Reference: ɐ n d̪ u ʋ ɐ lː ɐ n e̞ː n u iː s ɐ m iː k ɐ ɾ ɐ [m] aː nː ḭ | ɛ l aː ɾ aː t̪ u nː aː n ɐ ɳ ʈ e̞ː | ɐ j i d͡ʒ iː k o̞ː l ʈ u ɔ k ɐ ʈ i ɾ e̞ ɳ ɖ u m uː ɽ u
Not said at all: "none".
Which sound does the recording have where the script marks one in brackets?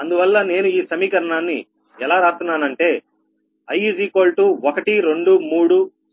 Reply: ɳ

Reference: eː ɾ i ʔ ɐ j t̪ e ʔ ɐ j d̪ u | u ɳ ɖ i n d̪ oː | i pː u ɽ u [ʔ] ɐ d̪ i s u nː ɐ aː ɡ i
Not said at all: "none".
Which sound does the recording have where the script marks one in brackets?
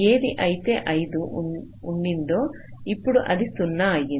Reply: ʔ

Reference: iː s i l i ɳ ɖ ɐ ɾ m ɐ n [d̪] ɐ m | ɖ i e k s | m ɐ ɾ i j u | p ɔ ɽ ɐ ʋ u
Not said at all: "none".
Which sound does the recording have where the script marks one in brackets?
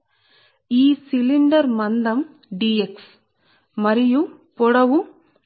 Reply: d̪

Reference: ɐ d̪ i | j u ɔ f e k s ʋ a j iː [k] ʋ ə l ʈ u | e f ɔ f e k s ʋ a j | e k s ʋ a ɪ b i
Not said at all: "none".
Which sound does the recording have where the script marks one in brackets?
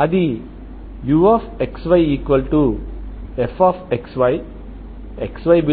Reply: k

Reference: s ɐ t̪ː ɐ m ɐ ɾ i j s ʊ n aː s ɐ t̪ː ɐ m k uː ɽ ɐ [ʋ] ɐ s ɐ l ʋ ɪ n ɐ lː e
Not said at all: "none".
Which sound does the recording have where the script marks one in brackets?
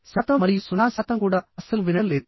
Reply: none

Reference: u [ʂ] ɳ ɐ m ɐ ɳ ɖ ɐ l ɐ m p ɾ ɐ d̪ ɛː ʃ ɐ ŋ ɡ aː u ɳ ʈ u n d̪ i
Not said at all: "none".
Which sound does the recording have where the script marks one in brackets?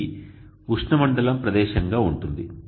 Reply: ʂ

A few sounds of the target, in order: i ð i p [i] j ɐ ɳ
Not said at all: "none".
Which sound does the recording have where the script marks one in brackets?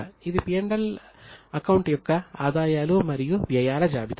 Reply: i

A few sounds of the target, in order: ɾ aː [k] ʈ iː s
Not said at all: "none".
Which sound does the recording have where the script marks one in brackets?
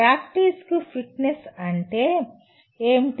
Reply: k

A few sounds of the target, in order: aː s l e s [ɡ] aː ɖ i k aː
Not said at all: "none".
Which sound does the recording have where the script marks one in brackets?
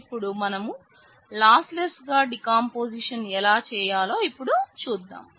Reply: ɡ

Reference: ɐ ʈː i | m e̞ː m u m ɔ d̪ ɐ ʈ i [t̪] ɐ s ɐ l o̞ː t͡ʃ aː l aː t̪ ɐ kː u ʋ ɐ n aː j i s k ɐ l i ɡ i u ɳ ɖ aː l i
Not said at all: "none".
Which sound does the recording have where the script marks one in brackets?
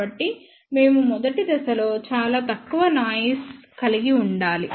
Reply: d̪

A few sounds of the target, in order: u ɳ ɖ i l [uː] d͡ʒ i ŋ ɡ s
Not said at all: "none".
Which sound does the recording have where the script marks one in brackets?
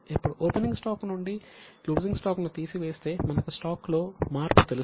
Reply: uː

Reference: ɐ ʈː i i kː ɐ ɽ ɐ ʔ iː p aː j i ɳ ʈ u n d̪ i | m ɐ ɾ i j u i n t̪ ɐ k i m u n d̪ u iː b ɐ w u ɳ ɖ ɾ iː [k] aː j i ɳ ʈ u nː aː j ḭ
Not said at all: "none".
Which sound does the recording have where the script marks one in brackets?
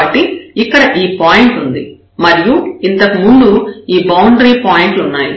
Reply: p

